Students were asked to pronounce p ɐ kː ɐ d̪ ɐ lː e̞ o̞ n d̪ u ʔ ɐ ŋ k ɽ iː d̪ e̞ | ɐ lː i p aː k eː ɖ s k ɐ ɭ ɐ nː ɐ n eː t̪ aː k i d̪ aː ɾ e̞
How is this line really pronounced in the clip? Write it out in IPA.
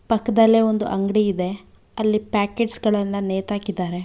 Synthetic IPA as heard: p ɐ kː ɐ d̪ ɐ lː e̞ o̞ n d̪ u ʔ ɐ ŋ ɡ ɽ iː d̪ e̞ | ɐ lː i p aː k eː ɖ s ɡ ɐ ɭ ɐ nː ɐ n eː t̪ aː k i d̪ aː ɾ e̞